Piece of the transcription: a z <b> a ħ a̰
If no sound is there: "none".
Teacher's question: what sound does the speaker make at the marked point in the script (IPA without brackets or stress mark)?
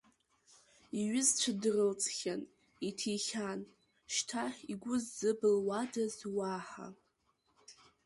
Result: w